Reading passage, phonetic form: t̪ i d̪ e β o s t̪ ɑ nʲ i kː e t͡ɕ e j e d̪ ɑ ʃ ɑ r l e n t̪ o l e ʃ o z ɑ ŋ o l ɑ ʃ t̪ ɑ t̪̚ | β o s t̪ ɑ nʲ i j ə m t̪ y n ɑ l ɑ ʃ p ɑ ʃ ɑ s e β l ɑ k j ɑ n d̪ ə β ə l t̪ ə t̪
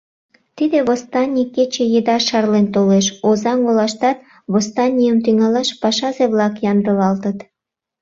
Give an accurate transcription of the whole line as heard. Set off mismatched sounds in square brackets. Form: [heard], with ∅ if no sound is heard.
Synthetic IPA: t̪ i d̪ e β o s t̪ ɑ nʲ i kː e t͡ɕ e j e d̪ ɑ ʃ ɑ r l e n t̪ o l e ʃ o z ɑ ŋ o l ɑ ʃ t̪ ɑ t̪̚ | β o s t̪ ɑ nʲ i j ə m t̪ y [ŋ] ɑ l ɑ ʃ p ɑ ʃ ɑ [z] e β l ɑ k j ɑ n d̪ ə β [ɑ] l t̪ ə t̪